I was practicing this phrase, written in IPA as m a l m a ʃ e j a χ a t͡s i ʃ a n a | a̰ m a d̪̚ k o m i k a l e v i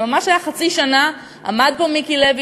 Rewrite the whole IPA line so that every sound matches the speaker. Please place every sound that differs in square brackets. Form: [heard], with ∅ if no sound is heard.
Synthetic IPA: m a [∅] m a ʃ [a] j a χ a t͡s i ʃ a n a | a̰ m a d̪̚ [p] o m i k [i] l e v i